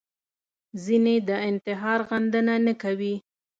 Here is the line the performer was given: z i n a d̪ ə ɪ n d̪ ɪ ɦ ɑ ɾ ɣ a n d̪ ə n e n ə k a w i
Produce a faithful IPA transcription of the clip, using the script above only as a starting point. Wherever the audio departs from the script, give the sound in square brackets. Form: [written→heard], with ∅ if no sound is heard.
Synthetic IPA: z i n [a→e] d̪ ə ɪ n [d̪→t̪] ɪ ɦ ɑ ɾ ɣ a n d̪ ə n [e→a] n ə k a w i